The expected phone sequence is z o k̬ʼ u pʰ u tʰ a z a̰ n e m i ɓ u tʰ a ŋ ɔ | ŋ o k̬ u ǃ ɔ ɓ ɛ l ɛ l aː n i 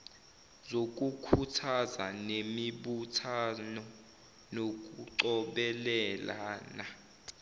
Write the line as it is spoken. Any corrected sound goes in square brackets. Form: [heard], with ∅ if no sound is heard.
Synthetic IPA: z o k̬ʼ u [kʰ] u tʰ a z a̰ n e m i ɓ u tʰ a [n] ɔ | [n] o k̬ u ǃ ɔ ɓ ɛ l ɛ l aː n [a]

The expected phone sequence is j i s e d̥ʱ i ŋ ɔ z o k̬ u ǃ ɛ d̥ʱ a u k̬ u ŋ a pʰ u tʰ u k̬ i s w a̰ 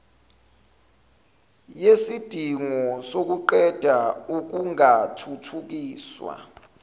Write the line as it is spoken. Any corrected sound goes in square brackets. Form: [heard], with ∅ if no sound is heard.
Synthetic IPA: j [e] s [i] d̥ʱ i ŋ ɔ [s] o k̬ u ǃ ɛ d̥ʱ a u k̬ u ŋ a [tʰ] u tʰ u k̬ [iː] s w a̰

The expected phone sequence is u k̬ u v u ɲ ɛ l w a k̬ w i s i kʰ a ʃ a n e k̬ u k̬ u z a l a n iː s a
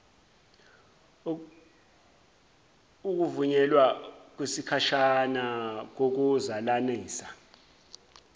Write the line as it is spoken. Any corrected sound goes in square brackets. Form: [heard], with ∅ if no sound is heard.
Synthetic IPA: u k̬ u v u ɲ ɛ l w a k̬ w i s i kʰ a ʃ a n [a] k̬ [o] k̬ u z a l a n iː s a

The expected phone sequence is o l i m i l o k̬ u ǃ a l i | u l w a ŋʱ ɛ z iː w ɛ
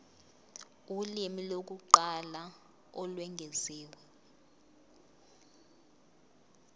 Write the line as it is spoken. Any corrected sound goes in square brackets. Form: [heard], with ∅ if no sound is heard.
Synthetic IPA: [u] l i m i l o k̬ u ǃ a l [a] | [ɔ] l w [ɛ] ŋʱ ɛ z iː w ɛ

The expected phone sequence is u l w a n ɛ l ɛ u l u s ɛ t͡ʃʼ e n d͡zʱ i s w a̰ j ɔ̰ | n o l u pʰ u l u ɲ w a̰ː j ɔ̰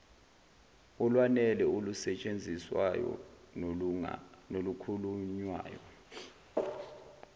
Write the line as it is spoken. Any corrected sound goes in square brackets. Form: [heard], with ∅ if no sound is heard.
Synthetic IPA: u l w a n ɛ l ɛ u l u s ɛ t͡ʃʼ e n d͡zʱ i s w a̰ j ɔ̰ | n o l u [kʰ] u l u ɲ w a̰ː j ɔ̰

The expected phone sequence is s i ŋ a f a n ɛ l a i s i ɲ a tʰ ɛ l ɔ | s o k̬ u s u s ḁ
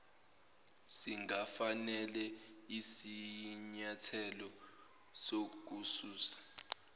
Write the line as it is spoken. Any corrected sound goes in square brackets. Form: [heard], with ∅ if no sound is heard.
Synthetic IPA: s i ŋ a f a n ɛ l [ɛ] i s i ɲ a tʰ ɛ l ɔ | s o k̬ u s [uː] s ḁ

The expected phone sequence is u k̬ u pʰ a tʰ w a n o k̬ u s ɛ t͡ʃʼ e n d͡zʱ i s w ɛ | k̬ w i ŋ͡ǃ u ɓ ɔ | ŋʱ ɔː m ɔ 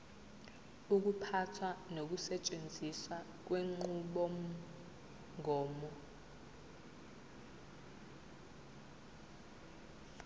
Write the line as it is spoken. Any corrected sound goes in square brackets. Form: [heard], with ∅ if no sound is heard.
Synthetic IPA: u k̬ u pʰ a tʰ w a n o k̬ u s ɛ t͡ʃʼ e n d͡zʱ i s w [a] | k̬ w [e] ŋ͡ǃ u ɓ ɔ | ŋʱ ɔː m ɔ

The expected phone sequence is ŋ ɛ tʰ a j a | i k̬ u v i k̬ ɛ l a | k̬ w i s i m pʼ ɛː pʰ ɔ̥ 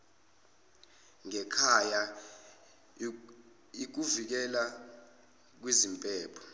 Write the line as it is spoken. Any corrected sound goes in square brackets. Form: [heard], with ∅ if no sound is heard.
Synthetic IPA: ŋ ɛ [kʰ] a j a | i k̬ u v i k̬ ɛ l a | k̬ w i [z] i m pʼ ɛː pʰ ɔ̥

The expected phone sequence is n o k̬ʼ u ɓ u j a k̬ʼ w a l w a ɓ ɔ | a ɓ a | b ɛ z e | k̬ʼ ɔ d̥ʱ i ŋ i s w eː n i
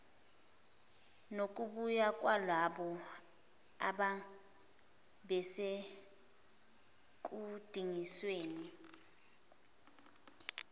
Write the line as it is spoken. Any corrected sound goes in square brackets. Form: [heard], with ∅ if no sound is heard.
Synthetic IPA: n o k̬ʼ u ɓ u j a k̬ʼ w a l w a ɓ ɔ | a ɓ a | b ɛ [s] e | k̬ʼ [u] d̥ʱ i ŋ i s w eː n i

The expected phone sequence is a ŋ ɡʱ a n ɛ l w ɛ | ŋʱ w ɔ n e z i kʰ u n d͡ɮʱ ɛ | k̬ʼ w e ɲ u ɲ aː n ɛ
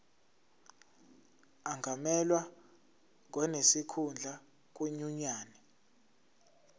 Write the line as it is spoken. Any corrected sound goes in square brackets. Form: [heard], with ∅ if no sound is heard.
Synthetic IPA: a ŋ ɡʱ a [m] ɛ l w [a] | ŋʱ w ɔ n e [s] i kʰ u n d͡ɮʱ [a] | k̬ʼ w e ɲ u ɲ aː n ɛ

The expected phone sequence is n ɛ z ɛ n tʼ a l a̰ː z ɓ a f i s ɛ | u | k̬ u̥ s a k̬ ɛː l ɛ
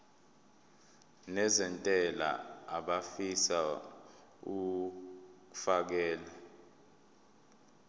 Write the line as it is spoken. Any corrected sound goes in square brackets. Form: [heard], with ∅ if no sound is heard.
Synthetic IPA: n ɛ z ɛ n tʼ [ɛ] l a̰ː [∅] ɓ a f i s [a] | u | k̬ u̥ [f] a k̬ ɛː l [a]

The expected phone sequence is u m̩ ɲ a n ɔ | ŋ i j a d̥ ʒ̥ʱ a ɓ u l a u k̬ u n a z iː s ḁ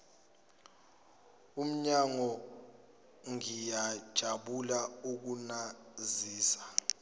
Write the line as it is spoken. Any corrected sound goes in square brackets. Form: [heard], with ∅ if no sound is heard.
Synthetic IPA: u m̩ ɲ a [ŋ] ɔ | ŋ i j a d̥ ʒ̥ʱ a ɓ u l a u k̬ u n a z iː s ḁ

